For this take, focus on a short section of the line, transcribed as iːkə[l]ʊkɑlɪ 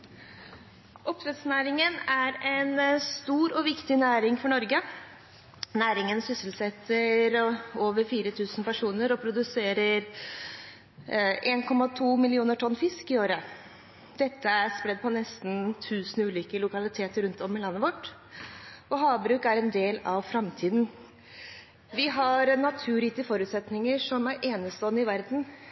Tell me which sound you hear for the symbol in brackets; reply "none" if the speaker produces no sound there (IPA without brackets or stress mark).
l